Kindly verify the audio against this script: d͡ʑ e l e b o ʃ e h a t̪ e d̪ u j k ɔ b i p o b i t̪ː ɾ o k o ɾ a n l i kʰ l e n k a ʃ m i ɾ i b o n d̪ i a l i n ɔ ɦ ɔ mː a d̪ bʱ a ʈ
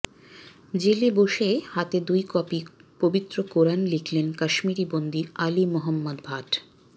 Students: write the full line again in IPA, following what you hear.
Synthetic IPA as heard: d͡ʑ e l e b o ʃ e h a t̪ e d̪ u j k ɔ p i p o b i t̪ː ɾ o k o ɾ a n l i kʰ l e n k a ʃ m i ɾ i b o n d̪ i a l i m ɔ ɦ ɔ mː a d̪ bʱ a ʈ

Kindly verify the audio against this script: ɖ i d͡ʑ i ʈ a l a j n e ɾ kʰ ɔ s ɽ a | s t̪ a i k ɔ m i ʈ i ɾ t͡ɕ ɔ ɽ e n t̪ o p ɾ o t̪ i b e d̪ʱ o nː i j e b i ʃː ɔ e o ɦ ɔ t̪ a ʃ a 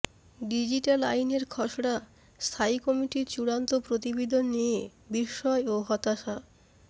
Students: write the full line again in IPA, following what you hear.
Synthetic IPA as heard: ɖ i d͡ʑ i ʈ a l a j n e ɾ kʰ ɔ ʃ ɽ a | s t̪ʰ a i k ɔ m i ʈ i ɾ t͡ɕ u ɽ a n t̪ o p ɾ o t̪ i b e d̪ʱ o nː i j e b i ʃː ɔ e o ɦ ɔ t̪ a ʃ a

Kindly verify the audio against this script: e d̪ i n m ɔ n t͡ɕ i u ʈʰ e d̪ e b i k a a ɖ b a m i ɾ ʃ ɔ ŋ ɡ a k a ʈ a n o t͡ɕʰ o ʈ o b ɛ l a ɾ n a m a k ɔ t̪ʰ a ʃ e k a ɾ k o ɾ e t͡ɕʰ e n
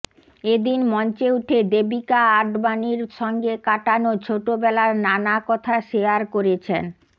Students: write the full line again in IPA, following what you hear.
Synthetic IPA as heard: e d̪ i n m ɔ n t͡ɕ e u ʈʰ e d̪ e b i k a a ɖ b a n i ɾ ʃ ɔ ŋ ɡ e k a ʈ a n o t͡ɕʰ o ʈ o b ɛ l a ɾ n a n a k ɔ t̪ʰ a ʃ e a ɾ k o ɾ e t͡ɕʰ e n

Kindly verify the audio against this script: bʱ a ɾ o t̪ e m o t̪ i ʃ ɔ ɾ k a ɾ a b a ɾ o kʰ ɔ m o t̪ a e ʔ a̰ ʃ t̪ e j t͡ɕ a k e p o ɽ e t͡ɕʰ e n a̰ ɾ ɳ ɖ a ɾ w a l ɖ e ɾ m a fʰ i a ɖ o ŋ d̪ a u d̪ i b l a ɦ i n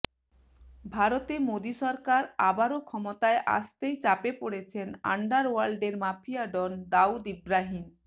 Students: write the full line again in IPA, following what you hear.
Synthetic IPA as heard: bʱ a ɾ o t̪ e m o d̪ i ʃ ɔ ɾ k a ɾ a b a ɾ o kʰ ɔ m o t̪ a e ʔ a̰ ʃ t̪ e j t͡ɕ a p e p o ɽ e t͡ɕʰ e n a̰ ɳ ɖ a ɾ w a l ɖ e ɾ m a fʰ i a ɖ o n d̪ a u d̪ i b ɾ a ɦ i n

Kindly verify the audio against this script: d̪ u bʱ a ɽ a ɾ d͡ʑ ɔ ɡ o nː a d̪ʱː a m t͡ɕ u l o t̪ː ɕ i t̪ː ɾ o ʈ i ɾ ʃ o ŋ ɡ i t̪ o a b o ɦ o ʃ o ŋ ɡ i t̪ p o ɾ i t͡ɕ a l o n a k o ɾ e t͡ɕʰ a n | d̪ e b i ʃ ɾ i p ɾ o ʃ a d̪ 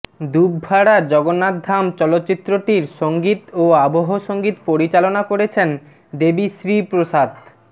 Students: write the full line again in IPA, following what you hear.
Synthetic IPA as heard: d̪ u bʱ a ɽ a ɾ d͡ʑ ɔ ɡ o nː a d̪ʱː a m t͡ɕ ɔ l o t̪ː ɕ i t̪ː ɾ o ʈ i ɾ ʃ o ŋ ɡ i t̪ o a b o ɦ o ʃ o ŋ ɡ i t̪ p o ɾ i t͡ɕ a l o n a k o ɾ e t͡ɕʰ e n | d̪ e b i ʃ ɾ i p ɾ o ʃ a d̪

